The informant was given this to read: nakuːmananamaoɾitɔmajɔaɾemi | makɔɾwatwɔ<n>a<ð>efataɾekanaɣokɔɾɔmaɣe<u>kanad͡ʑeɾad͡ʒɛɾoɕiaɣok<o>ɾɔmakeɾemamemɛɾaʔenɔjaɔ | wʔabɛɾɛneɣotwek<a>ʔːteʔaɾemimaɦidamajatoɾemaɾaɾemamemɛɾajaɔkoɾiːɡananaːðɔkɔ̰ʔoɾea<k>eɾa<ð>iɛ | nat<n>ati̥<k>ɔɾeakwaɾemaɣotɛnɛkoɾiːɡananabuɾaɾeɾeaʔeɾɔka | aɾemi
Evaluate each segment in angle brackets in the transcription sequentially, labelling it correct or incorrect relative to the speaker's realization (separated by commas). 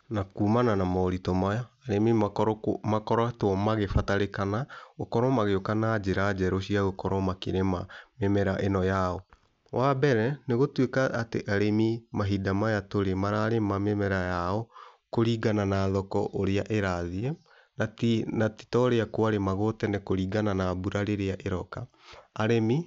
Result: incorrect, incorrect, incorrect, incorrect, correct, incorrect, correct, correct, incorrect